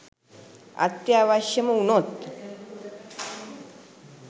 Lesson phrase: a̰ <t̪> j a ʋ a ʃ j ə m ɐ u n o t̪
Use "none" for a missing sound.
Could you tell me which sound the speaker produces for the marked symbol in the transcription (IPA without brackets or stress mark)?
t̪